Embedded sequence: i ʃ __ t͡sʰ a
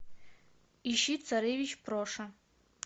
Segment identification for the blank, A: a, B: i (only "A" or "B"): B